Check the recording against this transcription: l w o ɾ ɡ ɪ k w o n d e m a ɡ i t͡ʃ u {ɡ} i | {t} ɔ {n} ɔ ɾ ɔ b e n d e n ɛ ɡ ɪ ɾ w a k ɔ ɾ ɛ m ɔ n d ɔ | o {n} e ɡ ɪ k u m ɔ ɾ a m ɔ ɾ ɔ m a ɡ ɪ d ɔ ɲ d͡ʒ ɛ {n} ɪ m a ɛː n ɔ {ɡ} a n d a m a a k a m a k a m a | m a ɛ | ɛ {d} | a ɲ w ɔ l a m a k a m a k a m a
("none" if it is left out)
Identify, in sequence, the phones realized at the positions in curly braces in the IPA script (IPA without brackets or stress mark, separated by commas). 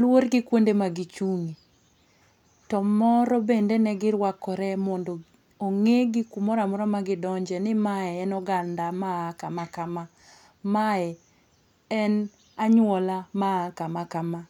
ŋ, t, m, ŋ, n, ɡ, n